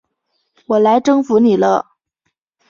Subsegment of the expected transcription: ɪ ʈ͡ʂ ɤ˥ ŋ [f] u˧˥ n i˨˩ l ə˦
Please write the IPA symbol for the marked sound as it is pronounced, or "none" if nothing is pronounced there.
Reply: f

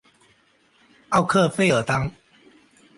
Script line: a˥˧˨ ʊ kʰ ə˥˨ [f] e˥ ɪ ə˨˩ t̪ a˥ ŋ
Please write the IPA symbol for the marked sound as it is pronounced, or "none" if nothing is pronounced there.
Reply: f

